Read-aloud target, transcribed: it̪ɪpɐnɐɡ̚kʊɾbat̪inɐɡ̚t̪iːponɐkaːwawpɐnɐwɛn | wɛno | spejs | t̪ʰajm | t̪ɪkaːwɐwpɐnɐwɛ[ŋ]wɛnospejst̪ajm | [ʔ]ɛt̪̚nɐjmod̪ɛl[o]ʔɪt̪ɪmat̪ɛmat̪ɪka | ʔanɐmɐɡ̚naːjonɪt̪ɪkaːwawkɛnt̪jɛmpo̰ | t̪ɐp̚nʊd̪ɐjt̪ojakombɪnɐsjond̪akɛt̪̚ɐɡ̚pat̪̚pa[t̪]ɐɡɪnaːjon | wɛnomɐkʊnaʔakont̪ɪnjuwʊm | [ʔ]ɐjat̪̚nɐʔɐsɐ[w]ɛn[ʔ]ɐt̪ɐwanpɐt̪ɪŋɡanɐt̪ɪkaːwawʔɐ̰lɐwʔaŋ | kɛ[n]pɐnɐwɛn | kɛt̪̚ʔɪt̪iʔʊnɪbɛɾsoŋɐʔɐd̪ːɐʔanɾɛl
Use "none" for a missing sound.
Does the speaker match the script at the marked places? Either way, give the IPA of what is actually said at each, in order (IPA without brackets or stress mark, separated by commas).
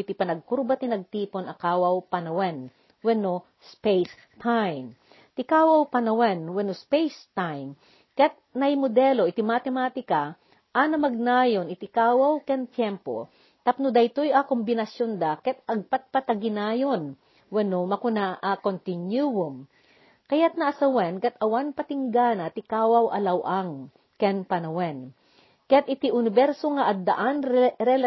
n, k, o, t̪, k, w, k, n